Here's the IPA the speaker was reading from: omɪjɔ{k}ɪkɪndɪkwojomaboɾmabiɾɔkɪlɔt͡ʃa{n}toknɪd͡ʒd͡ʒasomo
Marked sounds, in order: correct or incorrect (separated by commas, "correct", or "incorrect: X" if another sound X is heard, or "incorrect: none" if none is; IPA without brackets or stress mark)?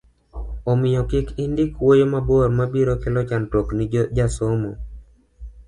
correct, correct